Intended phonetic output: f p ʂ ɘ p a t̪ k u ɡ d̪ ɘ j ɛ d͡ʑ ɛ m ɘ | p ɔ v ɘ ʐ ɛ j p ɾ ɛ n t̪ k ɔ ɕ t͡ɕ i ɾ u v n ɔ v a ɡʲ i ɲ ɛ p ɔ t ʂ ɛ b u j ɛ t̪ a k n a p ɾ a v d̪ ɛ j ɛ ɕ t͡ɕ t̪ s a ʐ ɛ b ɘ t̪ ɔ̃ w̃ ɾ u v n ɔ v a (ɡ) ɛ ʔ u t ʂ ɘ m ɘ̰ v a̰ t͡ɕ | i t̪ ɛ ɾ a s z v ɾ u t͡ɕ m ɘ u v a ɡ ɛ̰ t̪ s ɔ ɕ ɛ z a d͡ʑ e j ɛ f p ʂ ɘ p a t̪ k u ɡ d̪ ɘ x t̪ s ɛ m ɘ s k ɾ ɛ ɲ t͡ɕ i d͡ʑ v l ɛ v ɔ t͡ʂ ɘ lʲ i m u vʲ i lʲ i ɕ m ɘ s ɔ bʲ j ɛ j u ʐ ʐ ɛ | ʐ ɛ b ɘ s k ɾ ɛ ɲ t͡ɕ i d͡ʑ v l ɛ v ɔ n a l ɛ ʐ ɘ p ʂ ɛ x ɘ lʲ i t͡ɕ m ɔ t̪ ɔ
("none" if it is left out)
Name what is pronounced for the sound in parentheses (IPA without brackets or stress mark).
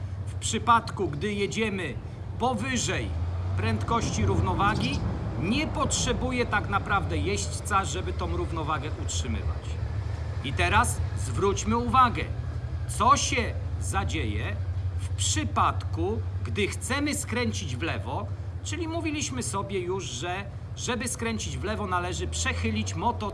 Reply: ɡ